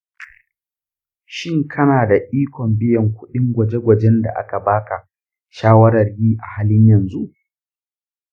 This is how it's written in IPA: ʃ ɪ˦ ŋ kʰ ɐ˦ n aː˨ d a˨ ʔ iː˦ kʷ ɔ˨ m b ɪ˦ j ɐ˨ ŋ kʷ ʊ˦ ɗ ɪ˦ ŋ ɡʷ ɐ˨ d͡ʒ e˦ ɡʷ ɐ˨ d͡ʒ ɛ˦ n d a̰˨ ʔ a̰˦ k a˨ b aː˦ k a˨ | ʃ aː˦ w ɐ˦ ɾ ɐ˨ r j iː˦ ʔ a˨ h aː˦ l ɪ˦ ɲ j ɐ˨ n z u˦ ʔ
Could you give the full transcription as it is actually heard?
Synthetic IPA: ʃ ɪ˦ ŋ kʰ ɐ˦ n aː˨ d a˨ ʔ iː˦ kʷ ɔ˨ m b ɪ˦ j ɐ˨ ŋ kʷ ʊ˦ ɗ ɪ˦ ŋ ɡʷ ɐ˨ d͡ʒ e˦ ɡʷ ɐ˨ d͡ʒ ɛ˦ n d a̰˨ ʔ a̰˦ k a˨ b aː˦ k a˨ | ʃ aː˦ w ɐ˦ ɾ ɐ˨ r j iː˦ ʔ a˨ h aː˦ l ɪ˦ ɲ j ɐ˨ n z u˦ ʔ